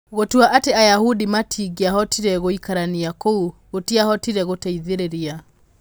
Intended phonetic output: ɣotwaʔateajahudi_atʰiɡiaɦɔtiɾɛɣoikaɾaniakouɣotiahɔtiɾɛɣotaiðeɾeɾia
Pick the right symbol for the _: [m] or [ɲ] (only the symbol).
m